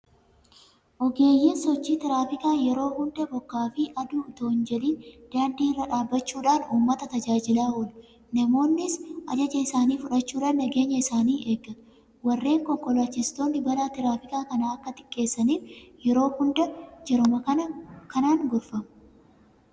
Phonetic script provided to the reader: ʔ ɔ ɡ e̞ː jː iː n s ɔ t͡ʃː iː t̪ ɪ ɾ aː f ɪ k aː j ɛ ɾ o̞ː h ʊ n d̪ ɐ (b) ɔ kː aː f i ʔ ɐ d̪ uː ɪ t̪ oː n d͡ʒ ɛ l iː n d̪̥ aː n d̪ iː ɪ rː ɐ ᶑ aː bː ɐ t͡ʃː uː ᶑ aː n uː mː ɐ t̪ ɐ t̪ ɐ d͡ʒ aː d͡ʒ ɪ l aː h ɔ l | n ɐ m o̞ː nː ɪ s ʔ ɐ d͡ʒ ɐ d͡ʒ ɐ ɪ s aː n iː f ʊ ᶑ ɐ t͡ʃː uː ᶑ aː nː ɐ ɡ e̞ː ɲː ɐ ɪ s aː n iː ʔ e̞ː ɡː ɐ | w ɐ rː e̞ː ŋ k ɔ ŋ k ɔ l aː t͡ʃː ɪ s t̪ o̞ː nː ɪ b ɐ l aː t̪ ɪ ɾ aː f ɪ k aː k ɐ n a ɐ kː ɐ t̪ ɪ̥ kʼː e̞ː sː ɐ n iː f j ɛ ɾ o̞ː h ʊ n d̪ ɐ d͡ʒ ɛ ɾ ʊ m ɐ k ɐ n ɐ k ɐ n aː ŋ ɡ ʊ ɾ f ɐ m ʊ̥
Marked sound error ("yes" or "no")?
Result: no